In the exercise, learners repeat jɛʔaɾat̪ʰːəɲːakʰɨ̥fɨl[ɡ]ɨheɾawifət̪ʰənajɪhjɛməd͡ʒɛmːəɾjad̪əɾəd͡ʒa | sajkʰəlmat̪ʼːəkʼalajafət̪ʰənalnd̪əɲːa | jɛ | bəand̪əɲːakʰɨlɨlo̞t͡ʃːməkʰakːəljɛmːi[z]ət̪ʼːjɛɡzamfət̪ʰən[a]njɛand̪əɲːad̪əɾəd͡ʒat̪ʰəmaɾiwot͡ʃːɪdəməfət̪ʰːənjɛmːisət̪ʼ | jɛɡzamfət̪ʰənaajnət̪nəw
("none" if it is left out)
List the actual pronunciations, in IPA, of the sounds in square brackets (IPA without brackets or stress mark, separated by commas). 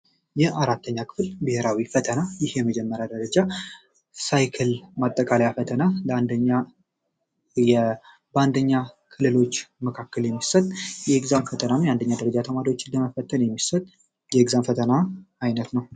b, s, a